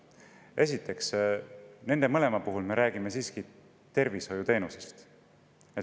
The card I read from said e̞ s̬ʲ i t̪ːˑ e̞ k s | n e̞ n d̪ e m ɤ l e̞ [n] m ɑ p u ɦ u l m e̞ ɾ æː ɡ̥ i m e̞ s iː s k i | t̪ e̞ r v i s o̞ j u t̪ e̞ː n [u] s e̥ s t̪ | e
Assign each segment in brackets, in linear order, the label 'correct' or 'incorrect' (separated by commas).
incorrect, correct